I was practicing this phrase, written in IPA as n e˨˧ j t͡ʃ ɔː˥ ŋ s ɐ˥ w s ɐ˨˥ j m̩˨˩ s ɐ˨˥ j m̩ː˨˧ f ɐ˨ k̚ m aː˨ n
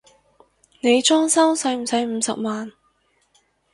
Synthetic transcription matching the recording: n e˨˧ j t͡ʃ ɔː˥ ŋ s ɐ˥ w s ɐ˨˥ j m̩˨˩ s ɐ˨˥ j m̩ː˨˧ s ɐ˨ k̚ m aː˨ n